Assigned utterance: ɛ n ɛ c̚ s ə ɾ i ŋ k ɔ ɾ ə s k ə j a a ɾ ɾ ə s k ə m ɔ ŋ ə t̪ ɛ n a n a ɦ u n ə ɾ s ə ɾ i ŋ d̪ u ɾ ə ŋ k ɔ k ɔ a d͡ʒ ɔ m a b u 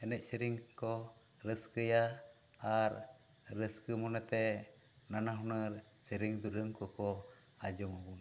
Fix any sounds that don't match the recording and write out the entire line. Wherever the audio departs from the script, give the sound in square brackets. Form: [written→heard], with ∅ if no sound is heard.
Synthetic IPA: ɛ n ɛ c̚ s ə ɾ i ŋ k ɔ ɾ ə s k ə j a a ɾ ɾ ə s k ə m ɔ [ŋ→n] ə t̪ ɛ n a n a ɦ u n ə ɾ s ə ɾ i ŋ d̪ u ɾ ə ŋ k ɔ k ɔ a d͡ʒ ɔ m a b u